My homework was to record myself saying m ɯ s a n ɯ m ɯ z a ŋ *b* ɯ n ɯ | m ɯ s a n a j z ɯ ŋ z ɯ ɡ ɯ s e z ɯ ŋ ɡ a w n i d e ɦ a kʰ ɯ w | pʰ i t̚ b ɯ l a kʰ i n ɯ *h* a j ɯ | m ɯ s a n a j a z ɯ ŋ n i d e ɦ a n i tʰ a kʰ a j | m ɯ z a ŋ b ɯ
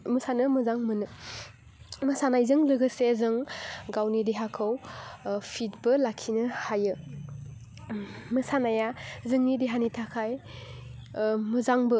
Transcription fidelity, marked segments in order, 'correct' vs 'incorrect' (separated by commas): incorrect, correct